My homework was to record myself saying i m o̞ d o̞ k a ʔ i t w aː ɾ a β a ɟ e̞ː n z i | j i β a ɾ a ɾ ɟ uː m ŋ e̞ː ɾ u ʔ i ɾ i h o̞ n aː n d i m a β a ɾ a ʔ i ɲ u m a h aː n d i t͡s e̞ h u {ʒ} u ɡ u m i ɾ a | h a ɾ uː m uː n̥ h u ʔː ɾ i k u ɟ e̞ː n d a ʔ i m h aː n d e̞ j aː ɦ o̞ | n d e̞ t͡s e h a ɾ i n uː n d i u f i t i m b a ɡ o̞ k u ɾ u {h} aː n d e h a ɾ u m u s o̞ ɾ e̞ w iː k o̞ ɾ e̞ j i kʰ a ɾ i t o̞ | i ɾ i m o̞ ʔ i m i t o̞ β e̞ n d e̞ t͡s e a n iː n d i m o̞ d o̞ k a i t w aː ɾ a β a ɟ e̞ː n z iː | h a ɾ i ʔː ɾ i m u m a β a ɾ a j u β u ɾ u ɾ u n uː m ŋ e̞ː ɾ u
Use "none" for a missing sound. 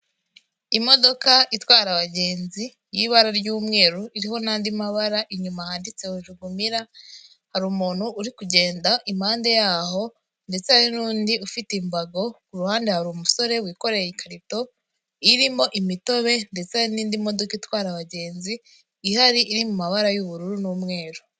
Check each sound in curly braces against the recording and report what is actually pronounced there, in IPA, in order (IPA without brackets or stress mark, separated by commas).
ʒ, h